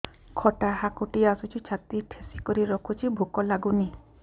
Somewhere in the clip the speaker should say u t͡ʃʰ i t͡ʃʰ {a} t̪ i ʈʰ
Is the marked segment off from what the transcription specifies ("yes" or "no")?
no